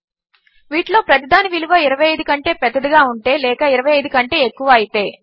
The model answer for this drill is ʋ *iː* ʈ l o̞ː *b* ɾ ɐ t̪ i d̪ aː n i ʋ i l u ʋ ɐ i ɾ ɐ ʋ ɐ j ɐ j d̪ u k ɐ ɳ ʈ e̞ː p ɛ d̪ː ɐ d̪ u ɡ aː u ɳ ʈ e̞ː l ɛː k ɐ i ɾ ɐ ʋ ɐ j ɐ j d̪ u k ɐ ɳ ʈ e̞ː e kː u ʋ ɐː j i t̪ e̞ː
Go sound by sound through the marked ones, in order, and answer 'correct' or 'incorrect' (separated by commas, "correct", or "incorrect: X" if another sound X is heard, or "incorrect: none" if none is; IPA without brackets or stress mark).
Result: correct, incorrect: p